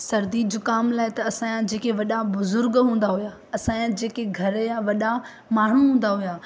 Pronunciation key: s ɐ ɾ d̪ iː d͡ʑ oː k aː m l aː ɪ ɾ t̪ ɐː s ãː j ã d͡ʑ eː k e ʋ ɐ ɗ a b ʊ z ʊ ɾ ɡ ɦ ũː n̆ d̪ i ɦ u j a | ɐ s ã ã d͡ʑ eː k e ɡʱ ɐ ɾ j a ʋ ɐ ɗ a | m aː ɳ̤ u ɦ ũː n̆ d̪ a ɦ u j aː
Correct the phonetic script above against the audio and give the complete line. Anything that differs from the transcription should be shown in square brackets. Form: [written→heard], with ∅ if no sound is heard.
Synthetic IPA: s ɐ ɾ d̪ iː d͡ʑ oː k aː m l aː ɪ [ɾ→∅] t̪ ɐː s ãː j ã d͡ʑ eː k e ʋ ɐ ɗ a b ʊ z ʊ ɾ ɡ ɦ ũː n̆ d̪ [i→a] ɦ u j a | ɐ s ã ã d͡ʑ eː k e ɡʱ ɐ ɾ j a ʋ ɐ ɗ a | m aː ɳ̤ u ɦ ũː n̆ d̪ a ɦ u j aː